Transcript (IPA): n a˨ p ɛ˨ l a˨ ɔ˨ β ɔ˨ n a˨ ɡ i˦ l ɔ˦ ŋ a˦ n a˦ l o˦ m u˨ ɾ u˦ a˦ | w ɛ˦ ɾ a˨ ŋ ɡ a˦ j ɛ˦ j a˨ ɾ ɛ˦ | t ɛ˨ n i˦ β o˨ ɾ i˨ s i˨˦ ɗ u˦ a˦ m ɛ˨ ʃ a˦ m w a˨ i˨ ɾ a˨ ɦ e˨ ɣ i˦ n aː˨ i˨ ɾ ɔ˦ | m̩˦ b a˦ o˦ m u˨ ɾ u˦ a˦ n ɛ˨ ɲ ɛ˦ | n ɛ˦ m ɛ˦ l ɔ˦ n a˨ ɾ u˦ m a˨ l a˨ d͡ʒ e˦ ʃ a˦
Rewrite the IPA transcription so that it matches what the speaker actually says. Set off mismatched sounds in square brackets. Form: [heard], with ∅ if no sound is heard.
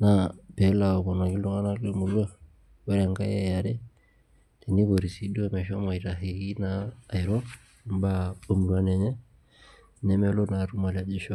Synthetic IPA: n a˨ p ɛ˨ l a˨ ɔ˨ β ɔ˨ n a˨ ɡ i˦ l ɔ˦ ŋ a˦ n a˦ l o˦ m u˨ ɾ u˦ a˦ | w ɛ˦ ɾ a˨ ŋ ɡ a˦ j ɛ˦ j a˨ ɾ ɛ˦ | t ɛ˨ n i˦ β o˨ ɾ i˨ s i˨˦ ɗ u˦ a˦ m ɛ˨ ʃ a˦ m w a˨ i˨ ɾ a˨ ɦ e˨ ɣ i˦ n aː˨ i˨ ɾ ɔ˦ | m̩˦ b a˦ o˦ m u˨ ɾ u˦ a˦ n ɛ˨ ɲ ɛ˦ | n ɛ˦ m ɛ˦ l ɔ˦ n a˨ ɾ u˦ m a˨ l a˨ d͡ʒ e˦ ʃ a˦

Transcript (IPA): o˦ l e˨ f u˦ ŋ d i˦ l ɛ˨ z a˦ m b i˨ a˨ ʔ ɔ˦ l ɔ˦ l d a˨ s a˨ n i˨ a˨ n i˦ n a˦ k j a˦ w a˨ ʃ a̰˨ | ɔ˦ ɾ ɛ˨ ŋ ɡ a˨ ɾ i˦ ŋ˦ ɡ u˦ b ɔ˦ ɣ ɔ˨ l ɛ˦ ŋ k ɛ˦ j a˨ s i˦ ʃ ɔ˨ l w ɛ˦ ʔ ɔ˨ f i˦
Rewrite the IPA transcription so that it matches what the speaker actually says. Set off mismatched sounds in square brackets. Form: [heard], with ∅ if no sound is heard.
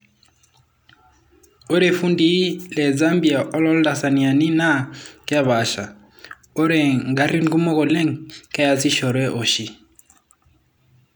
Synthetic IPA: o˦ [ɾ] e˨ f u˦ [n] d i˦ l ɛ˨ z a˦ m b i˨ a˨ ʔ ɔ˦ l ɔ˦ l d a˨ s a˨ n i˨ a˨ n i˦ n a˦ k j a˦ [β] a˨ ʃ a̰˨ | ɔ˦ ɾ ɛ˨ ŋ ɡ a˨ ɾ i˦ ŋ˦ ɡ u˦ [m] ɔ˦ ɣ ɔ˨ l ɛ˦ ŋ k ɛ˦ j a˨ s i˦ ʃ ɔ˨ [ɾ] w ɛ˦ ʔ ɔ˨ [ʃ] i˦

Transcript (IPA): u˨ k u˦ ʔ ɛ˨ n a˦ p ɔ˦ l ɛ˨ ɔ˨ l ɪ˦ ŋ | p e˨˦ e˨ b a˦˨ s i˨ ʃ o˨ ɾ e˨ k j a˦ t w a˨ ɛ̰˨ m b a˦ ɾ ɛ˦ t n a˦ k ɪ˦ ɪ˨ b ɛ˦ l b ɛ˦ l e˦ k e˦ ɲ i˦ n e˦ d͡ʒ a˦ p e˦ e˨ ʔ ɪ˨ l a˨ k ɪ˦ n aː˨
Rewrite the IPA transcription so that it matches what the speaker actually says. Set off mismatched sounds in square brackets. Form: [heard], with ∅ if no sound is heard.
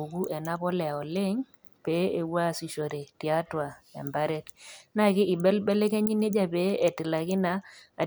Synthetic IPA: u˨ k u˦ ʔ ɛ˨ n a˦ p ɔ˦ l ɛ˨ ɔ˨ l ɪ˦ ŋ | p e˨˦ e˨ [w] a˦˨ s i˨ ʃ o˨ ɾ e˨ [t] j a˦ t w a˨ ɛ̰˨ m b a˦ ɾ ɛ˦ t n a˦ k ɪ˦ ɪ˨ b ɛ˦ l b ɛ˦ l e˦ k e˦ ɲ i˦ n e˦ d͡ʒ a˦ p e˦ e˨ [t] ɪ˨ l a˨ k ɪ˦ n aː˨

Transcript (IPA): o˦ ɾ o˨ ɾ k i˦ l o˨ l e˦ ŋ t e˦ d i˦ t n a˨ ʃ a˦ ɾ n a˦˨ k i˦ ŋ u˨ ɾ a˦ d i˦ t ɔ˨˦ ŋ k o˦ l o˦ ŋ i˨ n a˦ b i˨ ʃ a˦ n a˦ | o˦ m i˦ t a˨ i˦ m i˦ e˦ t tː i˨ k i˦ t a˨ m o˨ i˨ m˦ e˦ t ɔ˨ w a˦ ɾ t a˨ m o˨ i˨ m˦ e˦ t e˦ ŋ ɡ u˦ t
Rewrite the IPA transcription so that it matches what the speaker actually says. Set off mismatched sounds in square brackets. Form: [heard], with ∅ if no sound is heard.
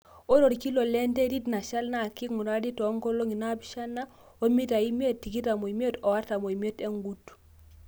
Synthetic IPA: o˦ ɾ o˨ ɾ k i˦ l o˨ l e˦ [n] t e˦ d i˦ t n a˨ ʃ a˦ [l] n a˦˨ k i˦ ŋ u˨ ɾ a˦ d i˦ t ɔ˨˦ ŋ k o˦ l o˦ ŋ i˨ n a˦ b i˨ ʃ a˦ n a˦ | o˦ m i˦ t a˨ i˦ m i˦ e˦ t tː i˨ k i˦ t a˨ m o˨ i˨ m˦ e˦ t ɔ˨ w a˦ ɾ t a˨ m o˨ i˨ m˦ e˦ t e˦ ŋ ɡ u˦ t

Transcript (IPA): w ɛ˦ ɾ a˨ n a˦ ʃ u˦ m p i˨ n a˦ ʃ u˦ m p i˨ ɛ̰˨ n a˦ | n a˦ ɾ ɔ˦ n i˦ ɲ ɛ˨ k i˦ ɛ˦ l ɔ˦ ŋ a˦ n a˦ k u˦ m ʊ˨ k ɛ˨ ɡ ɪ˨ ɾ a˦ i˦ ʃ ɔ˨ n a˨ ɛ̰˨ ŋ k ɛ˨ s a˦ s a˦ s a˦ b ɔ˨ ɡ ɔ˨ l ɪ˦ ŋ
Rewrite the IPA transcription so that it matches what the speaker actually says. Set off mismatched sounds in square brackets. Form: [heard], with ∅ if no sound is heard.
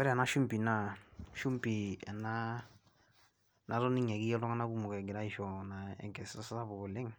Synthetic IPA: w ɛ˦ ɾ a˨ n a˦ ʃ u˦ m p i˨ n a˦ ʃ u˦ m p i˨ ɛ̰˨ n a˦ | n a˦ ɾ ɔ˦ n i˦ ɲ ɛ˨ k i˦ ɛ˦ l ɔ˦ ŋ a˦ n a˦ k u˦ m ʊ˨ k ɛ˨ ɡ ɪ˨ ɾ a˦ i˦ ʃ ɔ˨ n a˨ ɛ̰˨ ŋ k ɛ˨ s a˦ s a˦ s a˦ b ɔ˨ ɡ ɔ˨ l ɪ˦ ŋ

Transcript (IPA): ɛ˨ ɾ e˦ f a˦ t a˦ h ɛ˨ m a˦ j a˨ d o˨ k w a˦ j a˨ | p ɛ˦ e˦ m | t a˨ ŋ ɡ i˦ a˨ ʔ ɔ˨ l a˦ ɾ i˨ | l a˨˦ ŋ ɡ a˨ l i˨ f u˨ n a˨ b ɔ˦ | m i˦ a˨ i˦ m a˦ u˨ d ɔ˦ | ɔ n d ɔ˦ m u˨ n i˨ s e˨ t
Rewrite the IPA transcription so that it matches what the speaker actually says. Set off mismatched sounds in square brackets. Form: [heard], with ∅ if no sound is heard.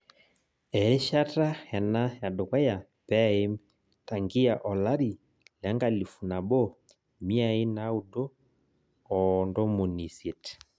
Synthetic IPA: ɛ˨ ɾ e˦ [ʃ] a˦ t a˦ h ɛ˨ [n] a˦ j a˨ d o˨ k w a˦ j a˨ | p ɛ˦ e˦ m | t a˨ ŋ ɡ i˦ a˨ ʔ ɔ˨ l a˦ ɾ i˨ | l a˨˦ ŋ ɡ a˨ l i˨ f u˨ n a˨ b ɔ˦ | m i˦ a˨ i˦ [n] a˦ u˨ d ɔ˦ | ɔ n d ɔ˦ m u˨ n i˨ s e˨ t

